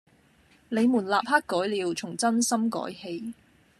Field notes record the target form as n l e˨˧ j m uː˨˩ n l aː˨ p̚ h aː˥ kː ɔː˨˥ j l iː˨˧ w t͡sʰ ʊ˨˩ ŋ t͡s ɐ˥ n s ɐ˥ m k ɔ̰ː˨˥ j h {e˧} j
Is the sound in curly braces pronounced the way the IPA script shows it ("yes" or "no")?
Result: yes